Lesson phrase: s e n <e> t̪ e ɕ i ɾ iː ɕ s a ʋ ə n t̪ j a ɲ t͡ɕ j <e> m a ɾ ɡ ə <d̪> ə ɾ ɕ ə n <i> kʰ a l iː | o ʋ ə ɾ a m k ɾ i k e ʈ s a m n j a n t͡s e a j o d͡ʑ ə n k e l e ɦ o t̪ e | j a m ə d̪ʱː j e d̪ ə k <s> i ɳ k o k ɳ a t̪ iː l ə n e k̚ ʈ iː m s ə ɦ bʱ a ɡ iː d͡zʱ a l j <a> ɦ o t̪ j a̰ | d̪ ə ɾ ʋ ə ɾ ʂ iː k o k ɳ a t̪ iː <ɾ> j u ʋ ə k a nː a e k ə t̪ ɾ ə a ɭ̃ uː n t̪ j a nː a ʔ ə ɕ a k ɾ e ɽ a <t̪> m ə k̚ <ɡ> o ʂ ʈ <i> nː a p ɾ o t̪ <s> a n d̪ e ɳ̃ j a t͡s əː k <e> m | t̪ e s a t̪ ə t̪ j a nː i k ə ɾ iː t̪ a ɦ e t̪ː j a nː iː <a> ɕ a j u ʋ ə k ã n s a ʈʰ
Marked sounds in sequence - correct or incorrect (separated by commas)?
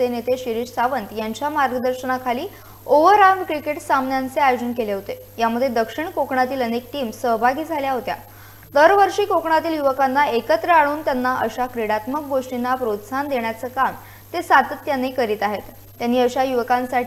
correct, incorrect, correct, incorrect, incorrect, correct, incorrect, correct, correct, correct, correct, incorrect, incorrect